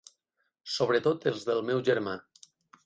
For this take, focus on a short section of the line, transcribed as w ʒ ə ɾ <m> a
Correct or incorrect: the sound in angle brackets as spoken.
correct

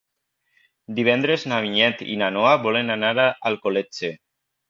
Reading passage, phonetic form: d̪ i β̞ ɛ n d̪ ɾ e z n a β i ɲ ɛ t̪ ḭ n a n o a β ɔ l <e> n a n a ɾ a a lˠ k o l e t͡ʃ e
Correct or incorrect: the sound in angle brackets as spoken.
correct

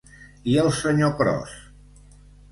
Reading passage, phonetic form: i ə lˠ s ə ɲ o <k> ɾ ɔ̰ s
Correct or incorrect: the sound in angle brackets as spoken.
correct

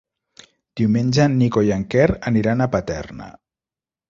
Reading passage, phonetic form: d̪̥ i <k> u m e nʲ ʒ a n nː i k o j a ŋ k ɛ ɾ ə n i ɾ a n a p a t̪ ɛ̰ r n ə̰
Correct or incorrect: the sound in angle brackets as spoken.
incorrect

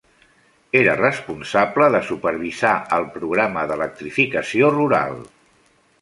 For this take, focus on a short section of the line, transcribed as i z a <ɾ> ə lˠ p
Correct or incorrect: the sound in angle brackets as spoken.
incorrect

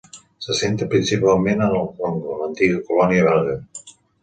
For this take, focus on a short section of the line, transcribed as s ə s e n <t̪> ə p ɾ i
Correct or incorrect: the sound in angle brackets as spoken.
correct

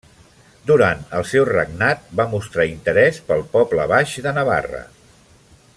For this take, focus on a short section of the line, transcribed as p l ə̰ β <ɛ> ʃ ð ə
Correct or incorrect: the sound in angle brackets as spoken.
incorrect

